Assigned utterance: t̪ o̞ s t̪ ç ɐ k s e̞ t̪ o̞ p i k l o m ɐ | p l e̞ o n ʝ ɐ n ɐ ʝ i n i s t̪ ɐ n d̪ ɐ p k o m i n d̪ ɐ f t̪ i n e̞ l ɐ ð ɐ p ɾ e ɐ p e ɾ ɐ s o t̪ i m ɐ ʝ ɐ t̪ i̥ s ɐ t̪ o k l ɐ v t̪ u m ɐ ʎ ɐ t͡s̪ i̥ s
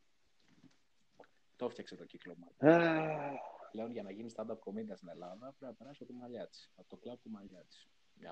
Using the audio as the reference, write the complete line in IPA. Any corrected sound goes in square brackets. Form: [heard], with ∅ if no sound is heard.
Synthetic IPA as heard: t̪ o̞ [f] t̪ ç ɐ k s e̞ t̪ o̞ [c] i k l o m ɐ | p l e̞ o n ʝ ɐ n ɐ ʝ i n i s t̪ ɐ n d̪ ɐ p k o m i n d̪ ɐ [s] t̪ i n e̞ l ɐ ð ɐ p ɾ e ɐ p e ɾ ɐ s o t̪ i m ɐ [ʎ] ɐ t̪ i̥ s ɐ t̪ o k l ɐ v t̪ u m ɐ ʎ ɐ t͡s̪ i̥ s